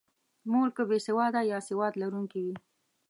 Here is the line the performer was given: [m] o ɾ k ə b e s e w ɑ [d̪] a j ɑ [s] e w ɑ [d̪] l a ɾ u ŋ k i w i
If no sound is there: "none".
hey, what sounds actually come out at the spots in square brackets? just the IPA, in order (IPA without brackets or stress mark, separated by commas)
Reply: m, d̪, s, d̪